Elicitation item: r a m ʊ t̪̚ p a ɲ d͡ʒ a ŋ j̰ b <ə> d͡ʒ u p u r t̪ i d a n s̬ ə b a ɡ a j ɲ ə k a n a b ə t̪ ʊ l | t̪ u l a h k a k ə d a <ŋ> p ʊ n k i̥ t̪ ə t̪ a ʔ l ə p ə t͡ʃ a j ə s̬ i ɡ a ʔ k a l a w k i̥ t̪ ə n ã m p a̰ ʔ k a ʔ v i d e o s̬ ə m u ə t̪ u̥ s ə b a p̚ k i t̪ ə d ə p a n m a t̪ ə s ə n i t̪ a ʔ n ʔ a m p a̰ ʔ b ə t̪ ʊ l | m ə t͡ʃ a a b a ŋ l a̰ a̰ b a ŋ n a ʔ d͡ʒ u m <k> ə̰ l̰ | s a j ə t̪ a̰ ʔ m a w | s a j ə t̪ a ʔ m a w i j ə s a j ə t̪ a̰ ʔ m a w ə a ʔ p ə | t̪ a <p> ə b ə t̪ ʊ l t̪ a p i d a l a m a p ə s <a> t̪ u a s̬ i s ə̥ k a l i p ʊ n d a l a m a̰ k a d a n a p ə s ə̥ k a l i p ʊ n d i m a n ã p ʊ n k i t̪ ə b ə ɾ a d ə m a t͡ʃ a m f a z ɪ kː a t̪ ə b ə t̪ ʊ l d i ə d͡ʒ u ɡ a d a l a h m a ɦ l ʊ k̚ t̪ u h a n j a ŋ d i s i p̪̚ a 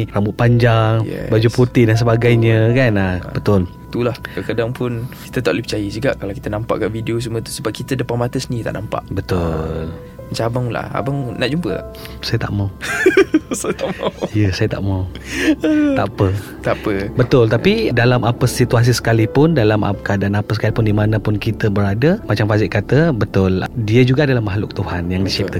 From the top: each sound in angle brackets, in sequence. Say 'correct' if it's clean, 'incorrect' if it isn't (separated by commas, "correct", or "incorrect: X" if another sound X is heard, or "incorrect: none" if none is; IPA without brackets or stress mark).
incorrect: a, correct, incorrect: p, correct, incorrect: i